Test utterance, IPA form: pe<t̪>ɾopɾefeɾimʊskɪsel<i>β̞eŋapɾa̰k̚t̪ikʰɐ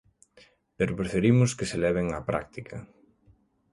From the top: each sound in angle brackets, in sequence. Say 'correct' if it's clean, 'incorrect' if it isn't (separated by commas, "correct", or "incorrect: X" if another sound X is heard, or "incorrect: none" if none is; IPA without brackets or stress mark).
incorrect: none, incorrect: ɛ